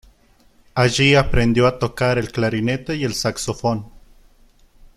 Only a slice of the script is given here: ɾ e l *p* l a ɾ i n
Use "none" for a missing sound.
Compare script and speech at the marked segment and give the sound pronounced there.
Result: k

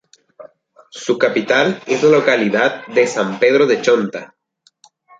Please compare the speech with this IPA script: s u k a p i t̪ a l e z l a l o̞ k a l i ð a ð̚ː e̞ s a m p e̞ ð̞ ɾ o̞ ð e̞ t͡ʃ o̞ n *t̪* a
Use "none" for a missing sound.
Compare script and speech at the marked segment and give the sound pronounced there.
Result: t̪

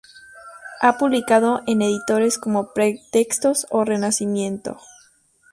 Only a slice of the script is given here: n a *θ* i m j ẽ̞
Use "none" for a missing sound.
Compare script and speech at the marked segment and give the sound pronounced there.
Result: s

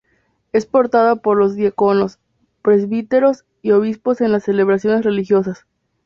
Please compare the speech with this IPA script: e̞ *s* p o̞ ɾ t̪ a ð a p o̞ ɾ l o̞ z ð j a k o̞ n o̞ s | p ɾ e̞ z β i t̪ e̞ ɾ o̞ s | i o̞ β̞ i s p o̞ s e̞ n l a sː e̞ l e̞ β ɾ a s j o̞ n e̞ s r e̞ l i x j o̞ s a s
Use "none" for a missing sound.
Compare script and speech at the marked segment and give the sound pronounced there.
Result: s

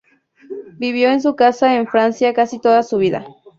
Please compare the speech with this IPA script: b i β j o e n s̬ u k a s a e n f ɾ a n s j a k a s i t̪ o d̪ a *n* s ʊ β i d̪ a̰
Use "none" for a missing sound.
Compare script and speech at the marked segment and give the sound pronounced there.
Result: none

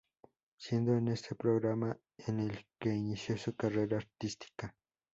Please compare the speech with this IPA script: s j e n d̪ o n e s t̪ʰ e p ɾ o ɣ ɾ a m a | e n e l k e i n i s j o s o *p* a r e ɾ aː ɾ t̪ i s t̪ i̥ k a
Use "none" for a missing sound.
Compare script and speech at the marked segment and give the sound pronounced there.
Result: k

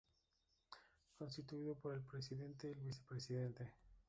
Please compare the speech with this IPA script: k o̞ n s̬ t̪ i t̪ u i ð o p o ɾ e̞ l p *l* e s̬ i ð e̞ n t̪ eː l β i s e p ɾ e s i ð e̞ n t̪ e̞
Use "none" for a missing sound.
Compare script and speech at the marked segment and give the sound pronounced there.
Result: ɾ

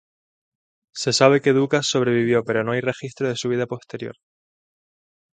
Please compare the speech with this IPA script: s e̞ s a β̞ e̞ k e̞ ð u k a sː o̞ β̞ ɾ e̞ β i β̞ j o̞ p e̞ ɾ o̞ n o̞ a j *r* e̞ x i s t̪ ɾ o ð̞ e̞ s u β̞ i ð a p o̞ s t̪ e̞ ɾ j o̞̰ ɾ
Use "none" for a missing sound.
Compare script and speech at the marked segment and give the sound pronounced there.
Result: r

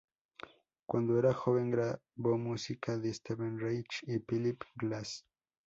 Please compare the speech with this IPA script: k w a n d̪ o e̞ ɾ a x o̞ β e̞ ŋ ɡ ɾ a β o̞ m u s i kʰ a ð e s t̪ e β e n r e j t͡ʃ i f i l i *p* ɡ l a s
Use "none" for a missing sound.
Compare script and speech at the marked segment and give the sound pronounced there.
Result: p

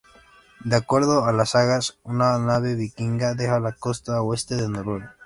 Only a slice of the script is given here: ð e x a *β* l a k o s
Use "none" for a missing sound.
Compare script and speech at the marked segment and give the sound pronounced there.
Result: none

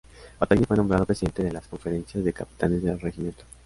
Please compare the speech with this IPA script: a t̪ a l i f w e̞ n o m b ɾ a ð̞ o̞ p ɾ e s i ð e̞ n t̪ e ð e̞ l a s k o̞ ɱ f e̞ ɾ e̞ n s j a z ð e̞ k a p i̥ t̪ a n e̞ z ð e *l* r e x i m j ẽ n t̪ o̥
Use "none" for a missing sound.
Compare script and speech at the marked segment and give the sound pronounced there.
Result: l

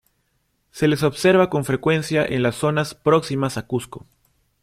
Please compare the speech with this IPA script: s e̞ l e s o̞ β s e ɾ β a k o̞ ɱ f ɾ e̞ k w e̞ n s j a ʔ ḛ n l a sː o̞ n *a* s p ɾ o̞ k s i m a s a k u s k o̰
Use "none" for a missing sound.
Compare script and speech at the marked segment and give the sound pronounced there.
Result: a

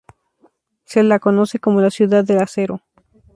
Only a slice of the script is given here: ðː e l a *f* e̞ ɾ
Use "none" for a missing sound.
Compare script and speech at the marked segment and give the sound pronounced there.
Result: s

